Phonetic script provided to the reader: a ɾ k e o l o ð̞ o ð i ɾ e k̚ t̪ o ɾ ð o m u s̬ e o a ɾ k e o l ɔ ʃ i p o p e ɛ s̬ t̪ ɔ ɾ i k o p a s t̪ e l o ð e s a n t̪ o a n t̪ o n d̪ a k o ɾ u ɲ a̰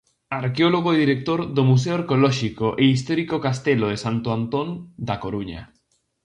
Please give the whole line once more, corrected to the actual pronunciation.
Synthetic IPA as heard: a ɾ k e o l o ɣ̞ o ð i ɾ e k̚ t̪ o ɾ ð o m u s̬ e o a ɾ k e o l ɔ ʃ i k o ʔ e i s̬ t̪ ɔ ɾ i k o k a s t̪ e l o ð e s a n t̪ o a n t̪ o n d̪ a k o ɾ u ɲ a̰